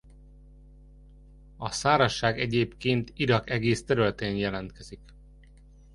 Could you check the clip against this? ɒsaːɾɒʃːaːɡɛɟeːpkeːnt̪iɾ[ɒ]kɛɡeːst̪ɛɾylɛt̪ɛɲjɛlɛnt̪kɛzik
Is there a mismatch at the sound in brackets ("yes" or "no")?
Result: no